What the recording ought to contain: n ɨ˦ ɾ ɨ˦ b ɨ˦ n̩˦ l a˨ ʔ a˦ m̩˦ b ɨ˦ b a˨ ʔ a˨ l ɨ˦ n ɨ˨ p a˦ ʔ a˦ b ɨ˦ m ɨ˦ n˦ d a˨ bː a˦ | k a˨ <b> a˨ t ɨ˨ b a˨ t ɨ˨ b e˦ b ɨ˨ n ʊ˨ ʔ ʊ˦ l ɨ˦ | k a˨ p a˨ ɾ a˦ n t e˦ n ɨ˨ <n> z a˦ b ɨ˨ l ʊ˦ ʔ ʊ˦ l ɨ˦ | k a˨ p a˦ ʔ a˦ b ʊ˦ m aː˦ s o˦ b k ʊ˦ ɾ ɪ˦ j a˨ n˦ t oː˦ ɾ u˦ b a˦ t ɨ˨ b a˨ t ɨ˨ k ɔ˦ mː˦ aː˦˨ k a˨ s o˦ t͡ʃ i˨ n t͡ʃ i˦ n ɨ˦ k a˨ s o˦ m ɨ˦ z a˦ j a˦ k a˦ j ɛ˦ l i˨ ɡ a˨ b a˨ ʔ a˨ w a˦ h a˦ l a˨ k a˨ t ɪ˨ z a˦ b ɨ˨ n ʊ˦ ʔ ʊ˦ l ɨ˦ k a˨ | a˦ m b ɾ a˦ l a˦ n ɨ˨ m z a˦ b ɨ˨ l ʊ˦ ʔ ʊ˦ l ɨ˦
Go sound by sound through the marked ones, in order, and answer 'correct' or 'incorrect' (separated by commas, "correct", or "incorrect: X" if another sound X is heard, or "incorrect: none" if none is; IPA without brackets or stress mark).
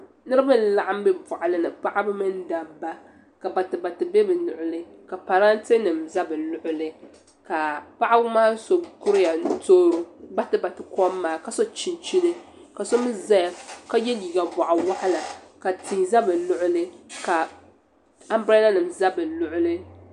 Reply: correct, incorrect: m